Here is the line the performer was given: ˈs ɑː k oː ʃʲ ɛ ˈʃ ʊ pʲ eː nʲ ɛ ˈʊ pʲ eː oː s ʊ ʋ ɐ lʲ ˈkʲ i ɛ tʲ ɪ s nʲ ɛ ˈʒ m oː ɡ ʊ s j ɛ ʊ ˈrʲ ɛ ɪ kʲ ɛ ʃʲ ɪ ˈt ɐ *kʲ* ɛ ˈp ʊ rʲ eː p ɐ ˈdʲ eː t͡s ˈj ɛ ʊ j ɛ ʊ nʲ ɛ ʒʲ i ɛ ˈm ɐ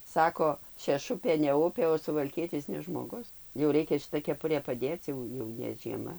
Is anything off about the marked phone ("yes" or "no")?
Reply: no